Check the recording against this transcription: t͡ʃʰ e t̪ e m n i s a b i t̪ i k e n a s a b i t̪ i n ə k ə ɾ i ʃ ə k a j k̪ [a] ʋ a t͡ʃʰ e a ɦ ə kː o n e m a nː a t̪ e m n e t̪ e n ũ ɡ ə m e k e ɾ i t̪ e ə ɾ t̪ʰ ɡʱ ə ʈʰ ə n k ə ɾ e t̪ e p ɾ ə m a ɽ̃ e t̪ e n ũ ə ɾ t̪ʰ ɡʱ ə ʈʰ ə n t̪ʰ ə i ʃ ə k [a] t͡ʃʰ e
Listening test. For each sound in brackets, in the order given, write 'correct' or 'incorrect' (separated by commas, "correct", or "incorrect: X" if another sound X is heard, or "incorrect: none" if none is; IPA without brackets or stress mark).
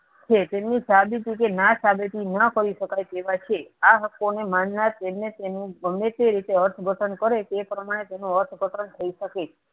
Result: incorrect: e, incorrect: e